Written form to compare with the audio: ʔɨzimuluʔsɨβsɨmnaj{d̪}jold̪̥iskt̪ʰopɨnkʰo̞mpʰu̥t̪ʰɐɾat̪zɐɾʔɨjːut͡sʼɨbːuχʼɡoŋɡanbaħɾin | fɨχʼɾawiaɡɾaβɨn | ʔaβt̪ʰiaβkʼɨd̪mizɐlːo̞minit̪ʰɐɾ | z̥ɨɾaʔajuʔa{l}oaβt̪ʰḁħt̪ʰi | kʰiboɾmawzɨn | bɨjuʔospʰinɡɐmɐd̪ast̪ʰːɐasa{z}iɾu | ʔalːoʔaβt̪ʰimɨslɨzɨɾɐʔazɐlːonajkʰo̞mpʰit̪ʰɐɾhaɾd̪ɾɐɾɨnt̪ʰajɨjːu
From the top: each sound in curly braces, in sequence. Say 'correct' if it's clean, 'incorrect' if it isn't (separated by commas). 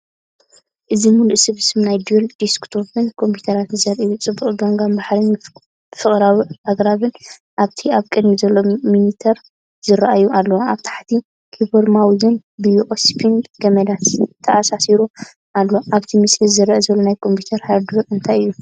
correct, incorrect, incorrect